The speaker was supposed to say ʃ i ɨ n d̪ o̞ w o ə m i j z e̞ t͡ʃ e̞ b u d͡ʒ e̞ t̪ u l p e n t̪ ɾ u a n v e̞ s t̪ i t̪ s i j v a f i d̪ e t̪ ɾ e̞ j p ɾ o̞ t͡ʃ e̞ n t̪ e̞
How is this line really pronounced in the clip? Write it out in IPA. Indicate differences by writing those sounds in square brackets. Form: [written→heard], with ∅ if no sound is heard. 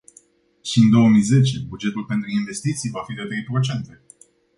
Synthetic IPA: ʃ i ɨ n d̪ o̞ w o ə m i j z e̞ t͡ʃ e̞ b u d͡ʒ e̞ t̪ u l p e n t̪ ɾ u [a→i] n v e̞ s t̪ i t̪ s i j v a f i d̪ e t̪ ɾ e̞ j p ɾ o̞ t͡ʃ e̞ n t̪ e̞